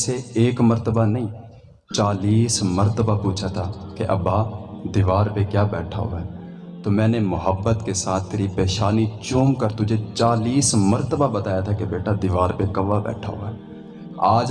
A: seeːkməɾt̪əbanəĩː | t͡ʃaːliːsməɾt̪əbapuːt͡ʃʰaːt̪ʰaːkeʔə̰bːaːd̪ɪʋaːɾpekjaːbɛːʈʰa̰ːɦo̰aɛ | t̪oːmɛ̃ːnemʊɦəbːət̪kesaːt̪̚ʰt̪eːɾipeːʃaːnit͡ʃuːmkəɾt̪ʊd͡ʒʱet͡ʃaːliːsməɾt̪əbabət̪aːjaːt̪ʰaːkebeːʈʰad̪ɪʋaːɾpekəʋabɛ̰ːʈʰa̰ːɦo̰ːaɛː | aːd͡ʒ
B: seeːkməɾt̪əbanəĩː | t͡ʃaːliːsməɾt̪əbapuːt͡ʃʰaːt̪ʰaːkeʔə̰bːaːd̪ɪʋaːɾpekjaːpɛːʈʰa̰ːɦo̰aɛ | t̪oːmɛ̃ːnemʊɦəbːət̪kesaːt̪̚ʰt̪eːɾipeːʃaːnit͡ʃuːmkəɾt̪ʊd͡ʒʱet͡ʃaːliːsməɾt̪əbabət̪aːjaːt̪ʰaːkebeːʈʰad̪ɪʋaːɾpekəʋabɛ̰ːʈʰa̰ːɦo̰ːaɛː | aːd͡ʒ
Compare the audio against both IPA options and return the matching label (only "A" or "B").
A